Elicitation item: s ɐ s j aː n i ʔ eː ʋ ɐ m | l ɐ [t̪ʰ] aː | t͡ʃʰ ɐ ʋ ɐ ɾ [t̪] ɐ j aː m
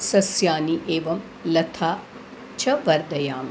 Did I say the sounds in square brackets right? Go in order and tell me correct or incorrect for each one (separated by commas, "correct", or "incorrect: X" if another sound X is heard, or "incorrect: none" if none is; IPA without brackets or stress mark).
correct, incorrect: d̪